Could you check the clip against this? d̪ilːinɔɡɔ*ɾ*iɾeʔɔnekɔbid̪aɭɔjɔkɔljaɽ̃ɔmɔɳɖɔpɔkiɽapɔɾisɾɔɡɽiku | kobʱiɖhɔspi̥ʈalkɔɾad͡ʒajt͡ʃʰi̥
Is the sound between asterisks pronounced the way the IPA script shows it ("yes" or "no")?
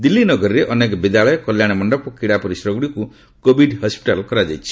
yes